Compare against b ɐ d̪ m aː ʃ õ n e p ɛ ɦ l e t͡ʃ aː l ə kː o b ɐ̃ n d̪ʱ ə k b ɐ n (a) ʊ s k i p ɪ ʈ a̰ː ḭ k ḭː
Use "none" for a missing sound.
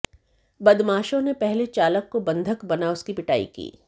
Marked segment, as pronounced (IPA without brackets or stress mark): a